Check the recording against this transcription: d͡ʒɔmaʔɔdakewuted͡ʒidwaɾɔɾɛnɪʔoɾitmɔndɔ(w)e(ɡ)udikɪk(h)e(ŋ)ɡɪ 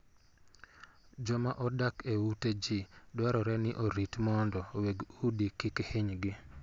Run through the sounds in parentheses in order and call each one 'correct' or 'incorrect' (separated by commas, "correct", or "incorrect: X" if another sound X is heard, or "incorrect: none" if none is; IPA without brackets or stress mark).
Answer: correct, correct, correct, incorrect: ɲ